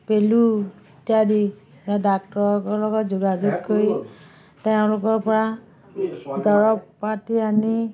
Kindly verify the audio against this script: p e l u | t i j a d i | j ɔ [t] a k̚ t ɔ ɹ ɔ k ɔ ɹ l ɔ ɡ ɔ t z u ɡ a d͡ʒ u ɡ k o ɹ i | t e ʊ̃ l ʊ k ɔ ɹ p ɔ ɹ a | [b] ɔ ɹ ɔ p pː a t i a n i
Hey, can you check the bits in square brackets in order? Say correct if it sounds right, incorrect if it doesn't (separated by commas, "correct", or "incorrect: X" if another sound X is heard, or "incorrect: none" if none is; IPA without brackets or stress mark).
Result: incorrect: d, incorrect: d